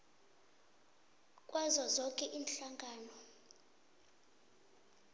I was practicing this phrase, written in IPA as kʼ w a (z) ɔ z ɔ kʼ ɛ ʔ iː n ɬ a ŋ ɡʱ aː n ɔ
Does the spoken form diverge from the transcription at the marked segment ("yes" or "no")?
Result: no